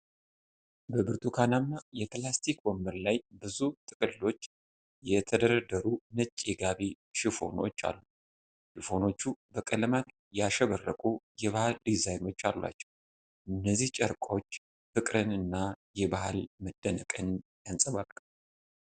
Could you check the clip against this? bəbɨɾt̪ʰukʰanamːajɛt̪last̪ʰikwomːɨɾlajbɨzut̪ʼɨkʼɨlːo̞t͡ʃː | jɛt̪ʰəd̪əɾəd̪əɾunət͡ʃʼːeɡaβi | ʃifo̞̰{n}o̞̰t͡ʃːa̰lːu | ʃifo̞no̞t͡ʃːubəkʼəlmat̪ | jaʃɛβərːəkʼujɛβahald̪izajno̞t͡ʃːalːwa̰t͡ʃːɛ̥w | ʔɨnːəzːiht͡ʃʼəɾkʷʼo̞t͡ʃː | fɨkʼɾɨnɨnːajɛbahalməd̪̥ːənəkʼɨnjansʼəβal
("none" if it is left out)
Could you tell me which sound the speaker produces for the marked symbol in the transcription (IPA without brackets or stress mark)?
n